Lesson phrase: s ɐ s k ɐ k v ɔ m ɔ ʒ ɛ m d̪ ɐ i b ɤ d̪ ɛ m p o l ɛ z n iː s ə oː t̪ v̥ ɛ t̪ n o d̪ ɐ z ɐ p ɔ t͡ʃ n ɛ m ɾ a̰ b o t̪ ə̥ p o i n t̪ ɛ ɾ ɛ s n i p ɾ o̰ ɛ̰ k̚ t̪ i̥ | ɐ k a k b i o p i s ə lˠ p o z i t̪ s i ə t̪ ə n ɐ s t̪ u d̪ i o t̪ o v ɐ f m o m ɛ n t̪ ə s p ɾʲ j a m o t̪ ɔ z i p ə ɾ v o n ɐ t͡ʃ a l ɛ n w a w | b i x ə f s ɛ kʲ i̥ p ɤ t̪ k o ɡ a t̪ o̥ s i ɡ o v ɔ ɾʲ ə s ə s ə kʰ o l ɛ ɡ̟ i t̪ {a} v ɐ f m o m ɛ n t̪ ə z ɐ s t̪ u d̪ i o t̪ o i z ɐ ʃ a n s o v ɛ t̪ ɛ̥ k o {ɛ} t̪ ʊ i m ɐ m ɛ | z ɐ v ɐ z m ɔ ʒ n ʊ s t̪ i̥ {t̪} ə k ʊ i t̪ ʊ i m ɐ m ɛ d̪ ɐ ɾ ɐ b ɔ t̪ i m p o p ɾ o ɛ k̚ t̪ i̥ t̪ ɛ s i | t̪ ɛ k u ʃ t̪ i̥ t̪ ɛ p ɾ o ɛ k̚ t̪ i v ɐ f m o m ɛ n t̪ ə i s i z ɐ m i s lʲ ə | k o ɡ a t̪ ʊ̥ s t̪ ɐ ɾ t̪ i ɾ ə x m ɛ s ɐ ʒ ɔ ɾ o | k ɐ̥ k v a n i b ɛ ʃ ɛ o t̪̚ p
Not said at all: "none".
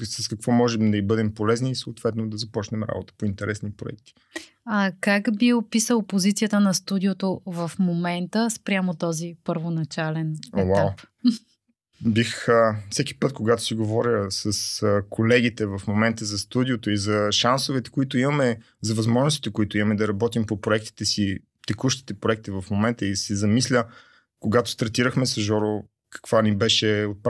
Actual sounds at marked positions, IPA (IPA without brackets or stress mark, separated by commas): ɛ, i, t̪